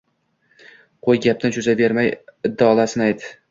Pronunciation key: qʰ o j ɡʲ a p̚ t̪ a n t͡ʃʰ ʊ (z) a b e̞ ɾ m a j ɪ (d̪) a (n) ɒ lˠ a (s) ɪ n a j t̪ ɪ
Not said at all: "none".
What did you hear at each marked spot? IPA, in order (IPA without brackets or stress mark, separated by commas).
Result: z, d̪ː, none, s